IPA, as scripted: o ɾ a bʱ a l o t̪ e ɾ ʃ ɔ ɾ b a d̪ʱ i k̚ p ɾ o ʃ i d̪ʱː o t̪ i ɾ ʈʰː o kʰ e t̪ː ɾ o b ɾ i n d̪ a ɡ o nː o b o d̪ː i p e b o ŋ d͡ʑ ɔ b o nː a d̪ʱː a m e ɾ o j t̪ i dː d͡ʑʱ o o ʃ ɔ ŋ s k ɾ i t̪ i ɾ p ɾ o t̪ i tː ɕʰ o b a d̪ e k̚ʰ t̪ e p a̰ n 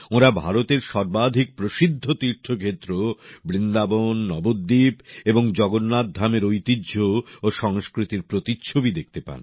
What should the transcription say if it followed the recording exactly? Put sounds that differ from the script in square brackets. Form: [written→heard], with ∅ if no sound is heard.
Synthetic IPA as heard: o ɾ a bʱ a [l→ɾ] o t̪ e ɾ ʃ ɔ ɾ b a d̪ʱ i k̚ p ɾ o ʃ i d̪ʱː o t̪ i ɾ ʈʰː o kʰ e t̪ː ɾ o b ɾ i n d̪ a [ɡ→b] o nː [o→ɔ] b o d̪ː i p e b o ŋ d͡ʑ ɔ [b→ɡ] o nː a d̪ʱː a m e ɾ o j t̪ i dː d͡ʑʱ o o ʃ ɔ ŋ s k ɾ i t̪ i ɾ p ɾ o t̪ i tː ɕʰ o b [a→i] d̪ e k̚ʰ t̪ e p a̰ n